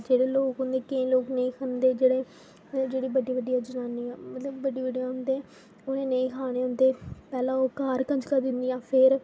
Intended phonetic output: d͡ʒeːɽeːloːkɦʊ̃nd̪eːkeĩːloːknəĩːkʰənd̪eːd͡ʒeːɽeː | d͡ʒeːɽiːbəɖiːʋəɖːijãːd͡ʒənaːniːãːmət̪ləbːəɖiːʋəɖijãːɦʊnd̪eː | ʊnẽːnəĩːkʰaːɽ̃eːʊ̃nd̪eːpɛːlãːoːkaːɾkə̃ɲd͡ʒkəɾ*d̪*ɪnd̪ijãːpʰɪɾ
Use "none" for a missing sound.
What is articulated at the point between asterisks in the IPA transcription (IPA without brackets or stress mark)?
d̪